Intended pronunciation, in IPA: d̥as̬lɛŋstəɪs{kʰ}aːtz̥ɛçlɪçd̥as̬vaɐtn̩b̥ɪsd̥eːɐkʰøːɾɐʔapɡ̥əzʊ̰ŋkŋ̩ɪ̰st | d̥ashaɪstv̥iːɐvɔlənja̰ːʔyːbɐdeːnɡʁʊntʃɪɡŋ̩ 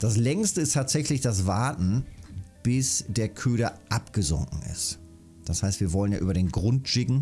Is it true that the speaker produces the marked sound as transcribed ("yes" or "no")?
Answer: no